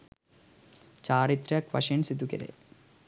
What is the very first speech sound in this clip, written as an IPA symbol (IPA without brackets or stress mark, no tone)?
t͡ɕ